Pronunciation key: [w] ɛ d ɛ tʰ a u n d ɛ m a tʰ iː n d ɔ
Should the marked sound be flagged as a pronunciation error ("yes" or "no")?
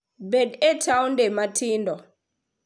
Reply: yes